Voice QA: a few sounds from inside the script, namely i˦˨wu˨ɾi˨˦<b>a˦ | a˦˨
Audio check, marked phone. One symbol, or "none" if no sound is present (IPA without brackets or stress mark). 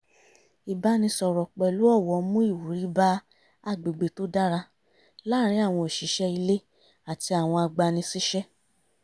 b